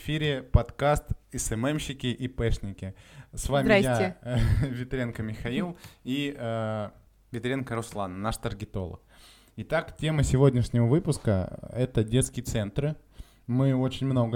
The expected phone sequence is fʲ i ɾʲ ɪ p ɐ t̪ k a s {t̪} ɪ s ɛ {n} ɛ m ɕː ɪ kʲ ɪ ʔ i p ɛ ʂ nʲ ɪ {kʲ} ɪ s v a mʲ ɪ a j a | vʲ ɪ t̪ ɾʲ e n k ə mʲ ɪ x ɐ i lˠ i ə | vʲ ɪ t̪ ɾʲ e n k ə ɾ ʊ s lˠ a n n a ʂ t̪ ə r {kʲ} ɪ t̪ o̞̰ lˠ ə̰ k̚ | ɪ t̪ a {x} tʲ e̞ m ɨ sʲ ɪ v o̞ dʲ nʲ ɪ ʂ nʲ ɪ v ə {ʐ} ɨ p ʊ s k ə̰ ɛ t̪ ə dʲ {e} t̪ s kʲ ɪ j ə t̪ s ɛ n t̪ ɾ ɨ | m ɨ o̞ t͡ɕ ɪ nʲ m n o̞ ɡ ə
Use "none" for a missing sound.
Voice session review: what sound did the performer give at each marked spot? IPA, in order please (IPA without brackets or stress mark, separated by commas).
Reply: t̪, m, kʲ, ɡʲ, k, v, e